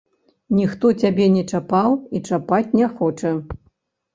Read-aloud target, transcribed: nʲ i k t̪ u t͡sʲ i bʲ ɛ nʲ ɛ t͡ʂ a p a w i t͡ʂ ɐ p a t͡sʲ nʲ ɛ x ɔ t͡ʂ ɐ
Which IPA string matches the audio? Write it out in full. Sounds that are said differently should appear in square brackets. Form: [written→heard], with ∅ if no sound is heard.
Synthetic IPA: nʲ i [k→x] t̪ [u→ɔ] t͡sʲ [i→a] bʲ ɛ nʲ ɛ t͡ʂ a p a w i t͡ʂ [ɐ→a] p a t͡sʲ nʲ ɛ x ɔ t͡ʂ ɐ